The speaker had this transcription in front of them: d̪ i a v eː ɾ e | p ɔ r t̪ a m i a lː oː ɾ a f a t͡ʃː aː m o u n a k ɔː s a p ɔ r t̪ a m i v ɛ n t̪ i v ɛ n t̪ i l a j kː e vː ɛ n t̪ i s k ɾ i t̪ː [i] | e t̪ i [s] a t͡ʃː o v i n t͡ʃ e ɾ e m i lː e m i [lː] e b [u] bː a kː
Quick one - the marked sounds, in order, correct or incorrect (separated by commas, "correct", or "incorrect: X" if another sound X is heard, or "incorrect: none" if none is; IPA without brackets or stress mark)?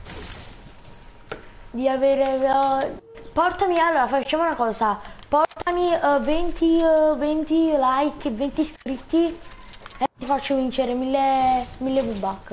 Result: correct, incorrect: f, correct, correct